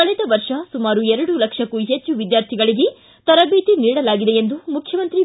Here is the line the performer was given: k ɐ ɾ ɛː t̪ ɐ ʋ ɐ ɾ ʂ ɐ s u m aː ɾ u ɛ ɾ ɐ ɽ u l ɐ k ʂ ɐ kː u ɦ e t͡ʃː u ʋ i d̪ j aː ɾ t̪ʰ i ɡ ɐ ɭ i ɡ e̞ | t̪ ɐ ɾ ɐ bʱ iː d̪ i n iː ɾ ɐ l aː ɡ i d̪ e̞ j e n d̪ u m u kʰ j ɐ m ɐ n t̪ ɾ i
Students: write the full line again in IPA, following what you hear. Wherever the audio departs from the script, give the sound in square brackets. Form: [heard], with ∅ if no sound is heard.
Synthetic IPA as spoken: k ɐ [ɭ] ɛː t̪ ɐ ʋ ɐ ɾ ʂ ɐ s u m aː ɾ u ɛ ɾ ɐ ɽ u l ɐ k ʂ ɐ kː u ɦ e t͡ʃː u ʋ i d̪ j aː ɾ t̪ʰ i ɡ ɐ ɭ i ɡ e̞ | t̪ ɐ ɾ ɐ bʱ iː [t̪] i n iː [ɽ] ɐ l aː ɡ i d̪ e̞ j e n d̪ u m u kʰ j ɐ m ɐ n t̪ ɾ i